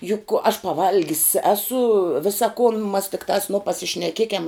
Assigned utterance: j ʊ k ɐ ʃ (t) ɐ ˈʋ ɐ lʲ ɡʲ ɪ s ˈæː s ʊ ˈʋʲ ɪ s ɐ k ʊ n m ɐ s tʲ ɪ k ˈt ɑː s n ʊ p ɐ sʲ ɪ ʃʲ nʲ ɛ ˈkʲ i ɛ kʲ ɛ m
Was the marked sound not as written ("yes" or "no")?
yes